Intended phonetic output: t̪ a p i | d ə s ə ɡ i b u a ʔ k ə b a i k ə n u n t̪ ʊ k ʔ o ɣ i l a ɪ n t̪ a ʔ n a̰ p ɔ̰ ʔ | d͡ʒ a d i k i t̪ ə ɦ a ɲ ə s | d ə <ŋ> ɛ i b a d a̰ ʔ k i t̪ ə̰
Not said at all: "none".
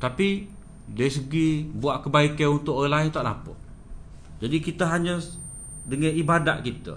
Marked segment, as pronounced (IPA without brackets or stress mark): ŋ